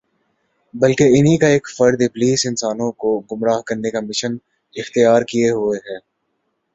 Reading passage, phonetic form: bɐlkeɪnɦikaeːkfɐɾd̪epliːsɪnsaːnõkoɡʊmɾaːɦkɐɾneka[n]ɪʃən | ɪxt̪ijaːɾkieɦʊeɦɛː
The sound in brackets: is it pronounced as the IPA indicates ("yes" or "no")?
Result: no